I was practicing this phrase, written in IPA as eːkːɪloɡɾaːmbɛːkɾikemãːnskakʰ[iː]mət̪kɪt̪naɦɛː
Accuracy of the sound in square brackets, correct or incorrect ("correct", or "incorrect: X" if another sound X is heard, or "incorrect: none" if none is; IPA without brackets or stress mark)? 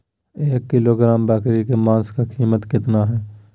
correct